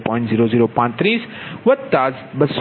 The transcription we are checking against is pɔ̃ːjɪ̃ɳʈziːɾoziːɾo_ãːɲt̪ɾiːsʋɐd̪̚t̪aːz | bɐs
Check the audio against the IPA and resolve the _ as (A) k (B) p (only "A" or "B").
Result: B